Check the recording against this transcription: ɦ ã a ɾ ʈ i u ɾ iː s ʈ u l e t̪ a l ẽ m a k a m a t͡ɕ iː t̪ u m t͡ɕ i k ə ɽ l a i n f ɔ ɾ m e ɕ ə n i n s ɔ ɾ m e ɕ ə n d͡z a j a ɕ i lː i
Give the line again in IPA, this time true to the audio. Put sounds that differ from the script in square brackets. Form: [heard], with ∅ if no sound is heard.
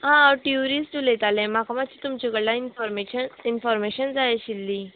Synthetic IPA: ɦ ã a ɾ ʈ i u ɾ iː s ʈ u l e t̪ a l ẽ m a k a m a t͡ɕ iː t̪ u m t͡ɕ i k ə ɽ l a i n f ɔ ɾ m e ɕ ə n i n [f] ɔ ɾ m e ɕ ə n d͡z a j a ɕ i lː i